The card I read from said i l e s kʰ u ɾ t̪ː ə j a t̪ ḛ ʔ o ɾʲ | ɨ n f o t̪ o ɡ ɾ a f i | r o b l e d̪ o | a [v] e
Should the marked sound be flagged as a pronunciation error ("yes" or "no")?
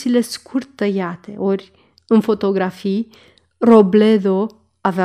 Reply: no